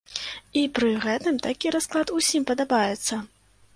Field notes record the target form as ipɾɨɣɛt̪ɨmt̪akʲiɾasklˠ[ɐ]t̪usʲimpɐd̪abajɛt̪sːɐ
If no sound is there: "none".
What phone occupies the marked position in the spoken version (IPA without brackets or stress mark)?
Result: a